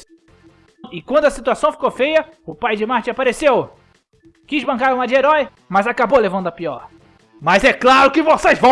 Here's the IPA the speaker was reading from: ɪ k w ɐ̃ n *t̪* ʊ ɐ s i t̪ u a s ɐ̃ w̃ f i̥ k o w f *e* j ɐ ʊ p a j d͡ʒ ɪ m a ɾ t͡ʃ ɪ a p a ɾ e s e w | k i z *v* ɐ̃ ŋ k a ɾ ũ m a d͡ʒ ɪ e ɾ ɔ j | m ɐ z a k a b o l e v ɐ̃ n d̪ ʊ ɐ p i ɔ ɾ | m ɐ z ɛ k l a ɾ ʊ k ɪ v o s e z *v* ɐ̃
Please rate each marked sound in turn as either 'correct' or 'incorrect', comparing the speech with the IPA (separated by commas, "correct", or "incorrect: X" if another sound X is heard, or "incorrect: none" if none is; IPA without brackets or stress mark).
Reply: incorrect: d̪, correct, incorrect: b, correct